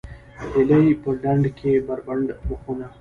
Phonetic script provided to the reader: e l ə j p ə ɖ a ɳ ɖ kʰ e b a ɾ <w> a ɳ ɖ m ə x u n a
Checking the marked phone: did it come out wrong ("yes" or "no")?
yes